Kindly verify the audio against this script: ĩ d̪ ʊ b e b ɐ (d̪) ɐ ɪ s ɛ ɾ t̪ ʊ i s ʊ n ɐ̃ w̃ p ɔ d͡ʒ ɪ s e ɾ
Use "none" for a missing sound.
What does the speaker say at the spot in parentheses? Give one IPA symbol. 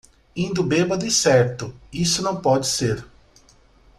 d̪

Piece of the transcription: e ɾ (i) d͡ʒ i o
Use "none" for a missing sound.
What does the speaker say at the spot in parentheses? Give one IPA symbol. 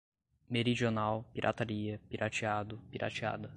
i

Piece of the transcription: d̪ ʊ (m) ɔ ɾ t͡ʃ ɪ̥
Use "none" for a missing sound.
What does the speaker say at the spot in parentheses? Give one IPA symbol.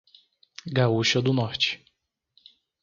n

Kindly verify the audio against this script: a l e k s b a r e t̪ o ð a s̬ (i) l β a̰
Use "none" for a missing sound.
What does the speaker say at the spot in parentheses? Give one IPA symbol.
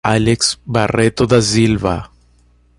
i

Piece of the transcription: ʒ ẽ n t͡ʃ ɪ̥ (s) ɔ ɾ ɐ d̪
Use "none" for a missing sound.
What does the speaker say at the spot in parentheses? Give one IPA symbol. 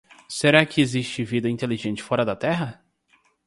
f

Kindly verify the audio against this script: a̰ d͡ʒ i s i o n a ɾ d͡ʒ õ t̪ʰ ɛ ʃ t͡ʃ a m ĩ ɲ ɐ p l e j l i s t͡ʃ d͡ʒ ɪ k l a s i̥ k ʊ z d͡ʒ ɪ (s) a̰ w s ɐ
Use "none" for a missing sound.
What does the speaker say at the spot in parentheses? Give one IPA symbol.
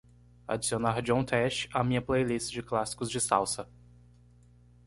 s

